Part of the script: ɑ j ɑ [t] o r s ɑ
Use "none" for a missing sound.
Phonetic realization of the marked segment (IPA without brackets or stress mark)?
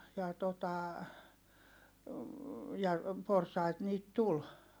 p